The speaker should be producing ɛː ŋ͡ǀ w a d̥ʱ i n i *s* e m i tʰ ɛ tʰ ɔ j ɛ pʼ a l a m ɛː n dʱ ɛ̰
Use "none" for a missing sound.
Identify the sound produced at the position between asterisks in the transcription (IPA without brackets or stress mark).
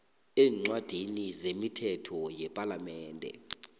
z